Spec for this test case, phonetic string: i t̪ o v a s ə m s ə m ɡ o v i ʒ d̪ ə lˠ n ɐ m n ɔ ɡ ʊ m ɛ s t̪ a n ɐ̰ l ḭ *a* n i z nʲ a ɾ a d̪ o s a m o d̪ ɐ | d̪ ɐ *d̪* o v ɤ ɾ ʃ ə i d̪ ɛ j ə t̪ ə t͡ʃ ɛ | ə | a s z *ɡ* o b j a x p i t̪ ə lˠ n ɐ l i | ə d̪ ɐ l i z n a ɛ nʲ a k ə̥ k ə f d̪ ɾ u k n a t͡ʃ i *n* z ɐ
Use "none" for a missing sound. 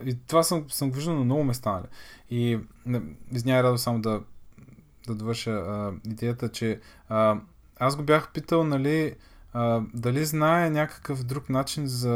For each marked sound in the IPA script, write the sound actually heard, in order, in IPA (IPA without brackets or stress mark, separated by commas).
i, d̪, ɡ, n